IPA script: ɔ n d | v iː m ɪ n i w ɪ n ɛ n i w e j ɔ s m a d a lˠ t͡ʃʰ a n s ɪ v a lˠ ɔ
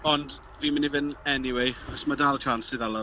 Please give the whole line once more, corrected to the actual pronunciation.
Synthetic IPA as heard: ɔ n d | v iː m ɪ n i v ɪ n ɛ n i w e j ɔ s m a d a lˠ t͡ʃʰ a n s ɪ ð a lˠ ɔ